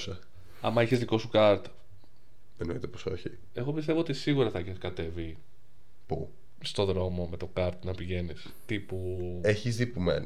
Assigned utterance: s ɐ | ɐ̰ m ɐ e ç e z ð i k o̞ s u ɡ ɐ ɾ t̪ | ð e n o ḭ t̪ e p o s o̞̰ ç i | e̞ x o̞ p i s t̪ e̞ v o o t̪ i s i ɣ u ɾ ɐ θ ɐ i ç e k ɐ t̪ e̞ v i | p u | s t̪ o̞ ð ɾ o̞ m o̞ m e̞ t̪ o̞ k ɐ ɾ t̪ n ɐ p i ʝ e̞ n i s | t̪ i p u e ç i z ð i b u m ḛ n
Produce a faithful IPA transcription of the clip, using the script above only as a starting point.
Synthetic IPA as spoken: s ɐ | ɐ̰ m ɐ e ç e z ð i k o̞ s u k ɐ ɾ t̪ | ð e n o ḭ t̪ e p o s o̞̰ ç i | e̞ ɣ o̞ p i s t̪ e̞ v o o t̪ i s i ɣ u ɾ ɐ θ ɐ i ç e k ɐ t̪ e̞ v i | p u | s t̪ o̞ ð ɾ o̞ m o̞ m e̞ t̪ o̞ k ɐ ɾ t̪ n ɐ p i ʝ e̞ n i s | t̪ i p u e ç i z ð i p u m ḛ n